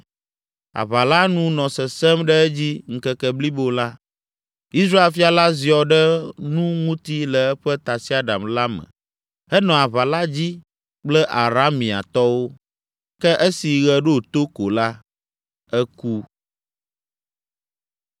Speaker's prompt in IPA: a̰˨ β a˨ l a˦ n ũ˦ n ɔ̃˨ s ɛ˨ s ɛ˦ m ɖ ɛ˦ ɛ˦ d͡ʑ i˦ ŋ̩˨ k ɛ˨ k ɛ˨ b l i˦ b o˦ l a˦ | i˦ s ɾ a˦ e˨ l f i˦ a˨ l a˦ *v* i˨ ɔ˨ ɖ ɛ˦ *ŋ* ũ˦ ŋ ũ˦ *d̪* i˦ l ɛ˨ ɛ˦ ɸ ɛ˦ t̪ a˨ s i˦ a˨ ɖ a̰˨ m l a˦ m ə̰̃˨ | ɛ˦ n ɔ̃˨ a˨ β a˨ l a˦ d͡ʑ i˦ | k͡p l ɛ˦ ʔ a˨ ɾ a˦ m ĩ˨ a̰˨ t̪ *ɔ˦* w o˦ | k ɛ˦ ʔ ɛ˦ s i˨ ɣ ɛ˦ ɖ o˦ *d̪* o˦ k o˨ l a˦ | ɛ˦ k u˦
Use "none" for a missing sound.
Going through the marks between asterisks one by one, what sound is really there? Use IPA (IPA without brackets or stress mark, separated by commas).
z, n, t̪, ɔ˦, t̪